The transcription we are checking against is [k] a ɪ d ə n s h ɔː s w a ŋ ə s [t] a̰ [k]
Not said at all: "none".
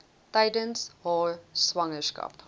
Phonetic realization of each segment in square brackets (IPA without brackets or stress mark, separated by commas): t, k, p